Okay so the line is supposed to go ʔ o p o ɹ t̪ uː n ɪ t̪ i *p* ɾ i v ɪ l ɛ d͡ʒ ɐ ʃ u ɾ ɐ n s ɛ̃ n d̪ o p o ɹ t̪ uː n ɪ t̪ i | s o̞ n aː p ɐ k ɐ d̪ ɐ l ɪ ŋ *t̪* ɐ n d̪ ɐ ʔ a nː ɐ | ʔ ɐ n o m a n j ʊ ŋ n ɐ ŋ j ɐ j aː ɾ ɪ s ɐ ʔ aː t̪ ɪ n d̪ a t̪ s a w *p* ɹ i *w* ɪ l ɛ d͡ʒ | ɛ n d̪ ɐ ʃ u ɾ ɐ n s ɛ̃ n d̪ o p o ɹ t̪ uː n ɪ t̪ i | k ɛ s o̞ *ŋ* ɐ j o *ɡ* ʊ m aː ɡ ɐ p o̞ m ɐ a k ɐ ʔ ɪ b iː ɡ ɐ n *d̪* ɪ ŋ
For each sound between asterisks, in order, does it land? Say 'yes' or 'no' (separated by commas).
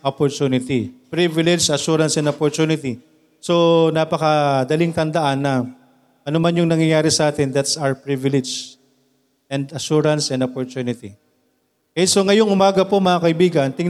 yes, yes, yes, no, yes, no, no